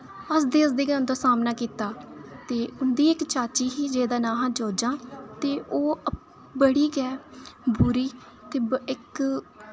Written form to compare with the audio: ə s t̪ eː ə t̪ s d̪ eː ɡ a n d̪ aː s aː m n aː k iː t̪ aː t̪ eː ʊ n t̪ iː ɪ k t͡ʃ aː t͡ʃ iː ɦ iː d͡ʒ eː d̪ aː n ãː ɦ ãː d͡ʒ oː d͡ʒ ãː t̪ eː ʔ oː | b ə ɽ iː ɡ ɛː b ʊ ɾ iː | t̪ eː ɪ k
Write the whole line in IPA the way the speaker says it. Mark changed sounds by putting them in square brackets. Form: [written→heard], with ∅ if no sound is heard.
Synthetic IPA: ə s [t̪→d̪] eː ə [t̪→∅] s d̪ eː ɡ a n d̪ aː s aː m n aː k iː t̪ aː t̪ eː ʊ n [t̪→d̪] iː ɪ k t͡ʃ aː t͡ʃ iː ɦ iː d͡ʒ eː d̪ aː n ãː ɦ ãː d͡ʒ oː d͡ʒ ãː t̪ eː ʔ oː | b ə ɽ iː ɡ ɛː b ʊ ɾ iː | t̪ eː ɪ k